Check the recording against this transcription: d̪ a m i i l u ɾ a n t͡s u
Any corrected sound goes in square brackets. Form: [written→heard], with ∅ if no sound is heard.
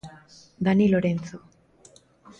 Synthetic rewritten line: d̪ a [m→n] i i l [u→o] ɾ [a→e] n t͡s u